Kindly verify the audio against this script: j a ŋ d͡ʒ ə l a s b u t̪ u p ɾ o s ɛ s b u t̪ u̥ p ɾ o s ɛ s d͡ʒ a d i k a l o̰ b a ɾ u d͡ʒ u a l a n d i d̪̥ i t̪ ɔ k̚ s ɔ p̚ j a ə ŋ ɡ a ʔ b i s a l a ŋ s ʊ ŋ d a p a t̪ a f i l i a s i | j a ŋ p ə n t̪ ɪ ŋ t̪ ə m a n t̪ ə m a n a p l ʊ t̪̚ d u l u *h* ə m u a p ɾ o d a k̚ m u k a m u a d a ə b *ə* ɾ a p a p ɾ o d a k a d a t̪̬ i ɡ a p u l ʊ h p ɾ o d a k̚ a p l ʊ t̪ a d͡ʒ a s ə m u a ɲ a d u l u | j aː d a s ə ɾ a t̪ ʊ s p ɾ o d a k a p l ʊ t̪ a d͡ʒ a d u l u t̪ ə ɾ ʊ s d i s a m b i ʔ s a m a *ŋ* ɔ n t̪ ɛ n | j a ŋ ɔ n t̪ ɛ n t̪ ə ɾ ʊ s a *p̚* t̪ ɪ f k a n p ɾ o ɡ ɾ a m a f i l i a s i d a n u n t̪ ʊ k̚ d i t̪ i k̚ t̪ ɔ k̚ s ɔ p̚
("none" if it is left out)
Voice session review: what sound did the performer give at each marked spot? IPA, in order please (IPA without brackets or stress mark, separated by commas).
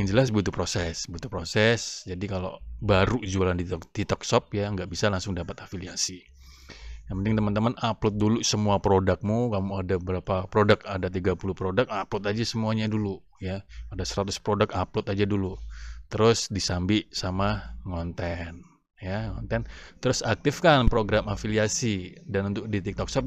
s, ə, ŋ, k̚